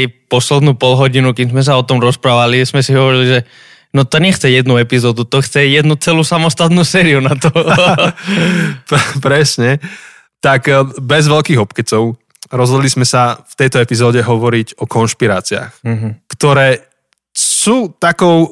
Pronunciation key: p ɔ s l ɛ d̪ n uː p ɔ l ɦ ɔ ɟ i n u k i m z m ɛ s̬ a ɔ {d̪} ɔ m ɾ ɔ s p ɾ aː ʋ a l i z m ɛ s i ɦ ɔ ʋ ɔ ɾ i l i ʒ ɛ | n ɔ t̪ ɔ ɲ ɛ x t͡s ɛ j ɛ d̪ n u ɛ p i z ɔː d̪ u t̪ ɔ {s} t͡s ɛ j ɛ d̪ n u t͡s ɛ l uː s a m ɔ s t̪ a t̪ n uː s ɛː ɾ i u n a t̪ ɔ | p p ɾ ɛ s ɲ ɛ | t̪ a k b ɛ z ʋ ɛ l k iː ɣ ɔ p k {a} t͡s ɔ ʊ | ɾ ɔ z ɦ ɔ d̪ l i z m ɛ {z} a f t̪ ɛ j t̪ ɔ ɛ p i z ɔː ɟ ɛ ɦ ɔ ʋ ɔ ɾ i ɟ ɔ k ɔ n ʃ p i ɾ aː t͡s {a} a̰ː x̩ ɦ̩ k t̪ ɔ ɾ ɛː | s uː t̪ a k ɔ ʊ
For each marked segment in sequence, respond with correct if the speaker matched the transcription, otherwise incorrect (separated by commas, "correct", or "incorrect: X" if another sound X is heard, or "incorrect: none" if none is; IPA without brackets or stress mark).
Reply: incorrect: t̪, incorrect: x, incorrect: ɛ, incorrect: s, incorrect: i